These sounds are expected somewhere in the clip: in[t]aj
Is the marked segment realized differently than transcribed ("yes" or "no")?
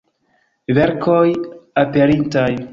no